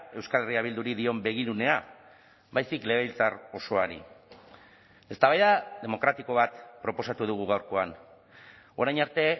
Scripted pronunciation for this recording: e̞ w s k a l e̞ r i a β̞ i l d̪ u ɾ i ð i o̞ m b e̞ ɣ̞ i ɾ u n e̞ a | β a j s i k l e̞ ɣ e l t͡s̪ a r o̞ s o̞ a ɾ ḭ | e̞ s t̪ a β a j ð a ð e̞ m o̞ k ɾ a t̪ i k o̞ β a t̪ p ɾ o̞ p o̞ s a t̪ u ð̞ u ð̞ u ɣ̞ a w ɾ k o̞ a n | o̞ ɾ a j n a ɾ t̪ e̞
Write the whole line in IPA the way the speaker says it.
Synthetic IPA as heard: e̞ w s k a l e̞ r i a β̞ i l d̪ u ɾ i ð i o̞ m b e̞ ɣ̞ i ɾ u n e̞ a | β a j s i k l e̞ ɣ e l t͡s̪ a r o̞ s o̞ a ɾ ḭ | e̞ s t̪ a β a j ð a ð e̞ m o̞ k ɾ a t̪ i k o̞ β a t̪ p ɾ o̞ p o̞ s a t̪ u ð̞ u ɣ̞ u ɣ̞ a w ɾ k o̞ a n | o̞ ɾ a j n a ɾ t̪ e̞